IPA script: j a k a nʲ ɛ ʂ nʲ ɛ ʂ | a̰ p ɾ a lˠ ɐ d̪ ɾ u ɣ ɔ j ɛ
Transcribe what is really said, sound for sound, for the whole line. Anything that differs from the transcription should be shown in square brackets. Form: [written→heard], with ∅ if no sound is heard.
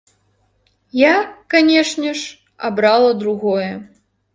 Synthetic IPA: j a k a nʲ ɛ ʂ nʲ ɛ ʂ | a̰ [p→b] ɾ a lˠ ɐ d̪ ɾ u ɣ ɔ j ɛ